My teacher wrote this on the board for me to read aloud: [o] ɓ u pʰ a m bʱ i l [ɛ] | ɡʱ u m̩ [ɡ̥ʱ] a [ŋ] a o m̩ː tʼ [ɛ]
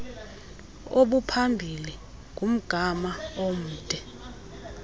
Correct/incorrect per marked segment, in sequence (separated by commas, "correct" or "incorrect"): correct, incorrect, correct, incorrect, correct